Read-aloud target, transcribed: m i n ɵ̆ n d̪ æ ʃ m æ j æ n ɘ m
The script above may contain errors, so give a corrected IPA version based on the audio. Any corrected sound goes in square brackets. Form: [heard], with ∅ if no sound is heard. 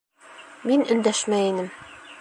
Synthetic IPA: m i n ɵ̆ n d̪ æ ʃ m æ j [i] n ɘ m

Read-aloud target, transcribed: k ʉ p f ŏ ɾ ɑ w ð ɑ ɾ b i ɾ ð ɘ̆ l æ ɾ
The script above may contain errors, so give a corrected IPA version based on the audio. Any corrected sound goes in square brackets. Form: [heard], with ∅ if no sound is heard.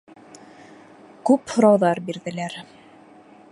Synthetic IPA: k ʉ p [h] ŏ ɾ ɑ w ð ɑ ɾ b i ɾ ð ɘ̆ l æ ɾ

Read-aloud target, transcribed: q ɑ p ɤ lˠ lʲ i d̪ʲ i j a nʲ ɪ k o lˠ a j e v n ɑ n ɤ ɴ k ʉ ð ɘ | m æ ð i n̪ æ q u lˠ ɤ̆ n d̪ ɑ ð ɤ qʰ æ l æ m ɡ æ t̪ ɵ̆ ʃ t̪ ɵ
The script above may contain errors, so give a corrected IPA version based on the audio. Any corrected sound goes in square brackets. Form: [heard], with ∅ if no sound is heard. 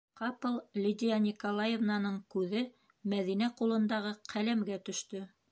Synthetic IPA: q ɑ p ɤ lˠ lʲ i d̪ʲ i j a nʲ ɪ k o lˠ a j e v n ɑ n ɤ ɴ k ʉ ð ɘ | m æ ð i n̪ æ q u lˠ ɤ̆ n d̪ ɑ [ʁ] ɤ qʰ æ l æ m ɡ æ t̪ ɵ̆ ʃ t̪ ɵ

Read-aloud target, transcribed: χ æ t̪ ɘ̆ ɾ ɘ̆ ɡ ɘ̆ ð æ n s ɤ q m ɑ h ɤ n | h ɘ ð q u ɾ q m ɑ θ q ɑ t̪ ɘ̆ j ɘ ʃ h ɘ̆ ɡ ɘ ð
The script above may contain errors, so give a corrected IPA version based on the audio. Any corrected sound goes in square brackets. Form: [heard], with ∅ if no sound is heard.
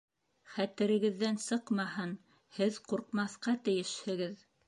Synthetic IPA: χ æ t̪ ɘ̆ ɾ ɘ̆ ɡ ɘ̆ [ðː] æ n s ɤ q m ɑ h ɤ n | h ɘ ð q u ɾ q m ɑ θ q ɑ t̪ ɘ̆ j ɘ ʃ h ɘ̆ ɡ ɘ ð

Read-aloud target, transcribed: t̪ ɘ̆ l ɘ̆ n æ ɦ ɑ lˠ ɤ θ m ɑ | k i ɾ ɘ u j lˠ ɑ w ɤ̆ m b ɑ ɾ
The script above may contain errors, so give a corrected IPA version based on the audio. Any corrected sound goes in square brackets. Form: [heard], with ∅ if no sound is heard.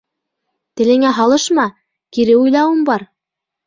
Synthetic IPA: t̪ ɘ̆ l ɘ̆ [ŋ] æ ɦ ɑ lˠ ɤ [ʃ] m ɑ | k i ɾ ɘ u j lˠ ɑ w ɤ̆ m b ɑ ɾ

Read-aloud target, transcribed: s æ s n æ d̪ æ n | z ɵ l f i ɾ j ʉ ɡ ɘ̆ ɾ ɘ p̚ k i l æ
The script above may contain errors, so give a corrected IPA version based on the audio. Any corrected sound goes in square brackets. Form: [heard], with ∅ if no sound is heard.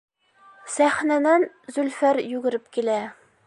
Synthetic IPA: s æ [χ] n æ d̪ æ n | z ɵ l f [æ] ɾ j ʉ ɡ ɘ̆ ɾ ɘ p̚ k i l æ

